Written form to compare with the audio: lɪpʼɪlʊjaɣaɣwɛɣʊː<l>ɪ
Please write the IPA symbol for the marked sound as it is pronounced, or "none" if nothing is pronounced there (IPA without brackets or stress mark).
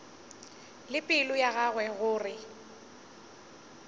r